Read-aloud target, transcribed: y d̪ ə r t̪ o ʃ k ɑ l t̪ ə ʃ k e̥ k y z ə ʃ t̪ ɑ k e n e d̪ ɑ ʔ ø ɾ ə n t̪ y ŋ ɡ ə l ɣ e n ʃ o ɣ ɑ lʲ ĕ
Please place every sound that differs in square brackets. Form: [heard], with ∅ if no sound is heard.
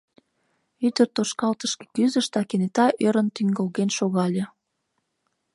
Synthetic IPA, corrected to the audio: y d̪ ə r t̪ o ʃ k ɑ l t̪ ə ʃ k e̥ k y z ə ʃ t̪ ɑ k e n e [t̪] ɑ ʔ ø ɾ ə n t̪ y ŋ ɡ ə l ɣ e n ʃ o ɣ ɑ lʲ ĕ